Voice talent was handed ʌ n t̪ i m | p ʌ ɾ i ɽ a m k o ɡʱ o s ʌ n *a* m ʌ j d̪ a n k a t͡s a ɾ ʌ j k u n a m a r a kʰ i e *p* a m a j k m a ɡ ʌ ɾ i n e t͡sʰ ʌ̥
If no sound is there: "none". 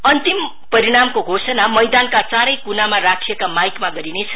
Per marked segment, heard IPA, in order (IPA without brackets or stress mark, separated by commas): a, k